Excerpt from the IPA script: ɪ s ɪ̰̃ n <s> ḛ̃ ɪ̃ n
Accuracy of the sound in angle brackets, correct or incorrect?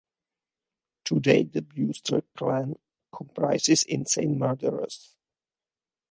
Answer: correct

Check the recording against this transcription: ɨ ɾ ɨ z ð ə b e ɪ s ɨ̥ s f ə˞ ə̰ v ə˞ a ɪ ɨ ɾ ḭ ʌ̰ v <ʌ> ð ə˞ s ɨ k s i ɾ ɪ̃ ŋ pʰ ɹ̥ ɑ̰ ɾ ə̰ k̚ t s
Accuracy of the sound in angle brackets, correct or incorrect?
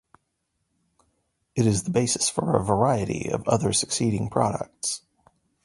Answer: correct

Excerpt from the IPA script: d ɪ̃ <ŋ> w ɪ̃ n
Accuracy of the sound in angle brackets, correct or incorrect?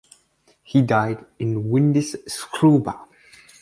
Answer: incorrect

